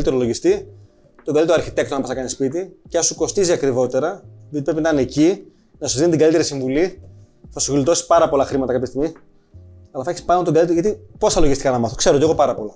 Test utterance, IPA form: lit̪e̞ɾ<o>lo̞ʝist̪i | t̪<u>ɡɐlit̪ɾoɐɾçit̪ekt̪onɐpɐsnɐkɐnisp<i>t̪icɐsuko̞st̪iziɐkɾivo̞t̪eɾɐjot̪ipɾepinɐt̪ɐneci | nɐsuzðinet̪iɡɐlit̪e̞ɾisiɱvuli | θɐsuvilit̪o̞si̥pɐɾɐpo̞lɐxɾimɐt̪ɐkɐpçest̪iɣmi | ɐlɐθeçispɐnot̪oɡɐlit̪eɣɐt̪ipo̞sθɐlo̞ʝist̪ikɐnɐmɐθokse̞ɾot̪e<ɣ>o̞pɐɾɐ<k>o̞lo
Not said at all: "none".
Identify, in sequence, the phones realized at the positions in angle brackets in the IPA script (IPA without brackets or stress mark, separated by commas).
o, o, i, ɣ, p